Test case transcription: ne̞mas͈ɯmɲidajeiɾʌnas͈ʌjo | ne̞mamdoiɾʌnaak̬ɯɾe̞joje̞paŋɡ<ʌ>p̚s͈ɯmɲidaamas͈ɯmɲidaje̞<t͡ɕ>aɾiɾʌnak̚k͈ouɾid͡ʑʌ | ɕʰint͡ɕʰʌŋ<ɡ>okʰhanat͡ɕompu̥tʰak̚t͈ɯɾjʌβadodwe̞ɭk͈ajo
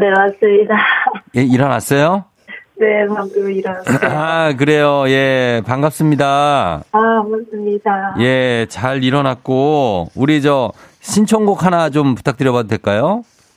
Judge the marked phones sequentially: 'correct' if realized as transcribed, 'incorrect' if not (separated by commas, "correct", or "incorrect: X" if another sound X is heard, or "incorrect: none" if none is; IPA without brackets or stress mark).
incorrect: a, correct, correct